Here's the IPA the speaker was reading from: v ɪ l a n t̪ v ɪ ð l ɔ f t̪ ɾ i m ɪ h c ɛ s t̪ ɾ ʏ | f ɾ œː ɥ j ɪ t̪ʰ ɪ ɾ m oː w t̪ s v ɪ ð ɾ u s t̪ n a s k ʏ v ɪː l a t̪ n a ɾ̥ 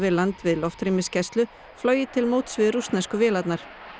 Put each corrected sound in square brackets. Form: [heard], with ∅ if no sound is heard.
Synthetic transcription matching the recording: v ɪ l a n t̪ v ɪ ð l ɔ f t̪ ɾ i m ɪ [s] c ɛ s t̪ [l] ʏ | f [l] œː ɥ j ɪ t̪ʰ ɪ [l] m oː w t̪ s v ɪ ð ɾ u s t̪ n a s k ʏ v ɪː l a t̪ n a ɾ̥